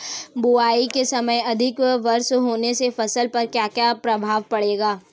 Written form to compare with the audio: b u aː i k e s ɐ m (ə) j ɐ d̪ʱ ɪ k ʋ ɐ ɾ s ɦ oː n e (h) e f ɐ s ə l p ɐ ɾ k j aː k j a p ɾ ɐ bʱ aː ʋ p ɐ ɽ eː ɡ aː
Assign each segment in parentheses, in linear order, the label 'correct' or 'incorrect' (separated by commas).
correct, incorrect